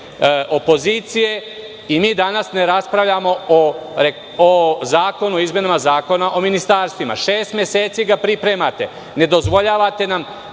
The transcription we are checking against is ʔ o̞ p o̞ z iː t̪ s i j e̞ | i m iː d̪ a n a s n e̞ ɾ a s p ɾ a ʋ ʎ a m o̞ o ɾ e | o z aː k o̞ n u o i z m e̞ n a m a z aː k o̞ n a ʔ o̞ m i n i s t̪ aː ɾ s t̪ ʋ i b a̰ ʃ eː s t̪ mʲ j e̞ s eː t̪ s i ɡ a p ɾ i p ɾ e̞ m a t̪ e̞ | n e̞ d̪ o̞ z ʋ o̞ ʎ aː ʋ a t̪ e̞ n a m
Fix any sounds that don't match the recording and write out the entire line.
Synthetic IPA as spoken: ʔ o̞ p o̞ z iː t̪ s i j e̞ | i m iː d̪ a n a s n e̞ ɾ a s p ɾ a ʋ ʎ a m o̞ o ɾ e | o z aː k o̞ n u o i z m e̞ n a m a z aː k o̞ n a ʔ o̞ m i n i s t̪ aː ɾ s t̪ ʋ i m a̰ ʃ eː s t̪ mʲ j e̞ s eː t̪ s i ɡ a p ɾ i p ɾ e̞ m a t̪ e̞ | n e̞ d̪ o̞ z ʋ o̞ ʎ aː ʋ a t̪ e̞ n a m